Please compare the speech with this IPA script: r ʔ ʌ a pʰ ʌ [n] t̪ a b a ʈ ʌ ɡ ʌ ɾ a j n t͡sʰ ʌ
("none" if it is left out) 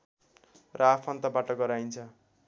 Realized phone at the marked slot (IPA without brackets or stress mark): n